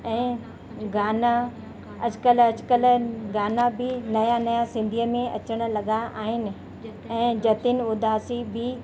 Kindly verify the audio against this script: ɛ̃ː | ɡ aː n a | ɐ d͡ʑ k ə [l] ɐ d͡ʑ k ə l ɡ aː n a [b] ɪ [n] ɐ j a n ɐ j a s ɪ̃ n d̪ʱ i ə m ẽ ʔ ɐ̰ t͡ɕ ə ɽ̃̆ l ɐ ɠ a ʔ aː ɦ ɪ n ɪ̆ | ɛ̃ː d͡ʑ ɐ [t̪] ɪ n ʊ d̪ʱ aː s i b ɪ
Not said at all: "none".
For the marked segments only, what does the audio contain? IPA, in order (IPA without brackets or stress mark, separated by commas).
l, b, n, t̪